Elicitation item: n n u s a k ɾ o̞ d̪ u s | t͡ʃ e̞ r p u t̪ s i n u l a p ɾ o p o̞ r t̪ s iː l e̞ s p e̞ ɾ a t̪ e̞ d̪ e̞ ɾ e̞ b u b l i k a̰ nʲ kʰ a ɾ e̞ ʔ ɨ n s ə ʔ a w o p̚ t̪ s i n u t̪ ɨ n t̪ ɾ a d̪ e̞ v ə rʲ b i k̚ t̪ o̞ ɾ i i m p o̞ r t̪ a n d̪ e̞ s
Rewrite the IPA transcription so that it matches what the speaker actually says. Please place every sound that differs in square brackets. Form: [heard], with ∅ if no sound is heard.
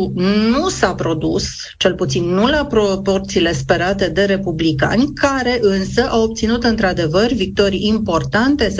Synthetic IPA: n n u s a [p] ɾ o̞ d̪ u s | t͡ʃ e̞ [l] p u t̪ s i [nː] u l a p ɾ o p o̞ r t̪ s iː l e̞ s p e̞ ɾ a t̪ e̞ d̪ e̞ ɾ e̞ [p] u b l i k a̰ nʲ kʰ a ɾ e̞ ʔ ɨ n s ə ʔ a w o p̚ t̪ s i n u t̪ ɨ n t̪ ɾ a d̪ e̞ v ə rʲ [v] i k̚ t̪ o̞ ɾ i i m p o̞ r t̪ a n [t̪] e̞ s